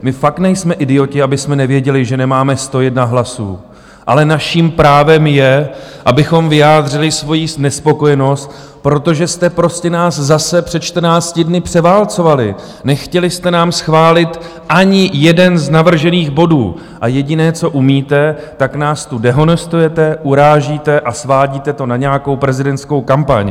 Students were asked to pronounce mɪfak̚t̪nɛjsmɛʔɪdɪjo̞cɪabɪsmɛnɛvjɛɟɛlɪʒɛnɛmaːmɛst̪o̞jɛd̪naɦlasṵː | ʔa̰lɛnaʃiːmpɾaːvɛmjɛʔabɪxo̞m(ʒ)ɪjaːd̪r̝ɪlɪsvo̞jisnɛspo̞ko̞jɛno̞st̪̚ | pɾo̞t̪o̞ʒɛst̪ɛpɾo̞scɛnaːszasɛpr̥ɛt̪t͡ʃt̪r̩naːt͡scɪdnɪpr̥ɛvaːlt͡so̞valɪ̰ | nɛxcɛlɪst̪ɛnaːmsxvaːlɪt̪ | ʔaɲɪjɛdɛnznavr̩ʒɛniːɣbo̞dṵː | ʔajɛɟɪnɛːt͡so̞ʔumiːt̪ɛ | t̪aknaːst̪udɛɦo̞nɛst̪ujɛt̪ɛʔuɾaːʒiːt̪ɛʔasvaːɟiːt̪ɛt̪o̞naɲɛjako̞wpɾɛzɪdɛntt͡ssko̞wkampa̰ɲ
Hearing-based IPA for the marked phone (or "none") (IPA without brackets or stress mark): v